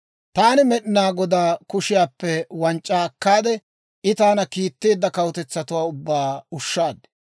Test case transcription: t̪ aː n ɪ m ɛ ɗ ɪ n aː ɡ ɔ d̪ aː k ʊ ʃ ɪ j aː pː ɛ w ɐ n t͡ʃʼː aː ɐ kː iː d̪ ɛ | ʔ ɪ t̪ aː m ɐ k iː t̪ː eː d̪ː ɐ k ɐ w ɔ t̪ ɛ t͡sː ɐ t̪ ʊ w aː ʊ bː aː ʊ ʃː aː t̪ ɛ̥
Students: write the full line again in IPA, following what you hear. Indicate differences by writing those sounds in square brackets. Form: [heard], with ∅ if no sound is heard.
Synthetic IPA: t̪ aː n ɪ m ɛ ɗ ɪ n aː ɡ ɔ d̪ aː k ʊ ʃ ɪ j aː pː ɛ w ɐ n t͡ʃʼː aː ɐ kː [aː] d̪ ɛ | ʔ ɪ t̪ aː [n] ɐ k iː t̪ː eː d̪ː ɐ k ɐ w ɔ t̪ ɛ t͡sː ɐ t̪ ʊ w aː ʊ bː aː ʊ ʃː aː [d̪] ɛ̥